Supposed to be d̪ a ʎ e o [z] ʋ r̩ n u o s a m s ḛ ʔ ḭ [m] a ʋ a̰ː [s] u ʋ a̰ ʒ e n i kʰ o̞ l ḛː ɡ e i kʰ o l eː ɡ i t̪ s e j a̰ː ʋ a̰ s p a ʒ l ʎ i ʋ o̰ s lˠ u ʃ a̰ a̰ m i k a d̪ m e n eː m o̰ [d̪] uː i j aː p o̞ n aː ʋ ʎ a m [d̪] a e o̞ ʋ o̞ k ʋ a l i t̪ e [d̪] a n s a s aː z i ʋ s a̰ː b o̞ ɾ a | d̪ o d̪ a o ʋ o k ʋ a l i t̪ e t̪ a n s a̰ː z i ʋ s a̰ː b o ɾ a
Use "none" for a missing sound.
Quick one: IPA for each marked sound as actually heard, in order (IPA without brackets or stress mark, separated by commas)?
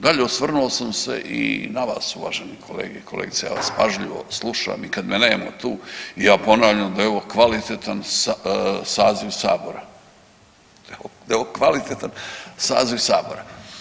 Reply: s, n, s, t̪, d̪, t̪